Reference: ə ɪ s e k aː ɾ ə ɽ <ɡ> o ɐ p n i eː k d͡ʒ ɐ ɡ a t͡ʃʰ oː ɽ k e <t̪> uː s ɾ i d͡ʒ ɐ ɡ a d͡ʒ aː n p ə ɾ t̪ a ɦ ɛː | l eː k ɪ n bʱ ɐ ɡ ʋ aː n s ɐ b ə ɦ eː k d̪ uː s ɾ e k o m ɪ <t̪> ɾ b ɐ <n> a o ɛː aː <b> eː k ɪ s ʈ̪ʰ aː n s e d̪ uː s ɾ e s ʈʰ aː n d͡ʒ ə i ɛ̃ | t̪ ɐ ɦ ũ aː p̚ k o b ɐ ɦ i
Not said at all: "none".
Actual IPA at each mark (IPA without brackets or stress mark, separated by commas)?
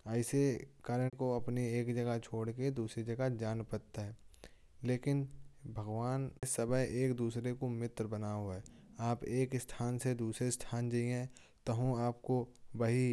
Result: k, d̪, t̪, n, p